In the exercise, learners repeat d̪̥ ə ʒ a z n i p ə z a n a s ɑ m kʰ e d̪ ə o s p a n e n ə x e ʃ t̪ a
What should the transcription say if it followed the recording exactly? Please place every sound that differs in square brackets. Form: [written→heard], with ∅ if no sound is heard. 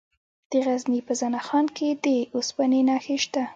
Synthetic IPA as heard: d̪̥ ə [ʒ→ɣ] a z n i p ə z a n a [s→x] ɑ [m→n] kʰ e d̪ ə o s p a n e n [ə→ɑ] x e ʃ t̪ a